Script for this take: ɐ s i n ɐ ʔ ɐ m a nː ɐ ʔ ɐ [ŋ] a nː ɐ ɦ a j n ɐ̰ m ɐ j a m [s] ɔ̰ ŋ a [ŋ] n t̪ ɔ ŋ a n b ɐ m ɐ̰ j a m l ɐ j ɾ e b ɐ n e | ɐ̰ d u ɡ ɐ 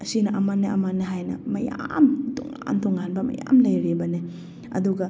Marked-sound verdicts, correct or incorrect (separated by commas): incorrect, incorrect, incorrect